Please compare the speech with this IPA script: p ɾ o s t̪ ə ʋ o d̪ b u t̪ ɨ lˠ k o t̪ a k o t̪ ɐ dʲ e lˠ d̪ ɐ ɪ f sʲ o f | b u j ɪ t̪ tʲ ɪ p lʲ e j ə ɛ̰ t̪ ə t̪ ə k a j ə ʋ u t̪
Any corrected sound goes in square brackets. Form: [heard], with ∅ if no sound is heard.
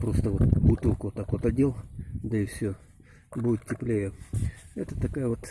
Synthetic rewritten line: p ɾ o s t̪ ə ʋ o [t̪] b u t̪ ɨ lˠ k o t̪ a k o t̪ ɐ dʲ e lˠ d̪ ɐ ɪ f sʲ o [∅] | b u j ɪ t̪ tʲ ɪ p lʲ e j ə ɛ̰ t̪ ə t̪ [ɐ] k a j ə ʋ [o] t̪